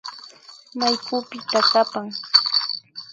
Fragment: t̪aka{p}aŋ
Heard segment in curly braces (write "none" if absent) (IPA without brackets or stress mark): p